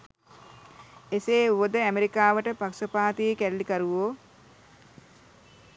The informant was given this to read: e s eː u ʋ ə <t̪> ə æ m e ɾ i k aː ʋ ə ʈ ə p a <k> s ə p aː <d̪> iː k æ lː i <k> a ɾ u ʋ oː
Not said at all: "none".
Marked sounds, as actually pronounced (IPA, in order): d̪, k, t̪, k

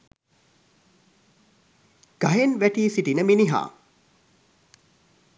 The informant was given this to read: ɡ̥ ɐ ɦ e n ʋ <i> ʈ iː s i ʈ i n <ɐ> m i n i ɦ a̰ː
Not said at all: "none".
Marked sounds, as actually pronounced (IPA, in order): æ, ə

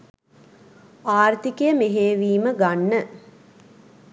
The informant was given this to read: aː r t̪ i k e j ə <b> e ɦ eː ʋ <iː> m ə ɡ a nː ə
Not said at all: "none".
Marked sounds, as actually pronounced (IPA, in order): m, iː

